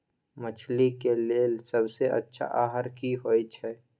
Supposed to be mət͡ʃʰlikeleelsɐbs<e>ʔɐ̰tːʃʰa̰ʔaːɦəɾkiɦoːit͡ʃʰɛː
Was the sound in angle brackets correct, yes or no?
yes